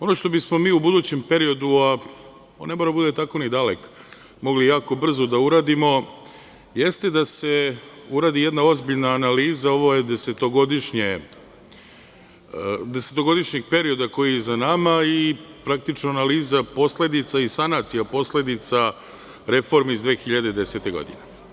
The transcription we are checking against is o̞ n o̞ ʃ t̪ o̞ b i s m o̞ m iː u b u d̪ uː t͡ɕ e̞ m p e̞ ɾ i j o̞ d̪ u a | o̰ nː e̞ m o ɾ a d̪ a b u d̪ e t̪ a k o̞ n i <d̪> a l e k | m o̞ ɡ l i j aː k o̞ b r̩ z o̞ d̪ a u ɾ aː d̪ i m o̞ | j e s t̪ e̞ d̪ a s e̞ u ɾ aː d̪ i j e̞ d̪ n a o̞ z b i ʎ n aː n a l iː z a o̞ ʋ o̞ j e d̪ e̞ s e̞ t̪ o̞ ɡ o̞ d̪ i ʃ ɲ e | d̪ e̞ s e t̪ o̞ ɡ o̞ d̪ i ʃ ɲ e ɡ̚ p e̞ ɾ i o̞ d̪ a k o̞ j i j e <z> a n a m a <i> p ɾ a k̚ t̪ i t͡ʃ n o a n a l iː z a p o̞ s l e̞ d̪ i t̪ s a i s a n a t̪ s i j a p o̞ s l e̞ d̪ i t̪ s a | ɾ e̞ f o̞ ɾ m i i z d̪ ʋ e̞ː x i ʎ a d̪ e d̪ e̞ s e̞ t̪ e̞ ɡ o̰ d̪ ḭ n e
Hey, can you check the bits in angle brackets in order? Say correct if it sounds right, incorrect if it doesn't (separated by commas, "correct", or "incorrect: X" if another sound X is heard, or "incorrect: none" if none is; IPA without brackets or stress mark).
correct, correct, correct